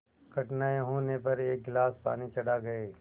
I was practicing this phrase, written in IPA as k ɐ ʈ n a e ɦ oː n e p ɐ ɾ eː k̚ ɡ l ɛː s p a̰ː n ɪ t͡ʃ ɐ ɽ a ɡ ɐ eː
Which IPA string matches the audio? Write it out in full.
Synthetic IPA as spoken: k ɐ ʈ n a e ɦ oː n e p ɐ ɾ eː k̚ ɡ l aː s p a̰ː n i t͡ʃ ɐ ɽ a ɡ ɐ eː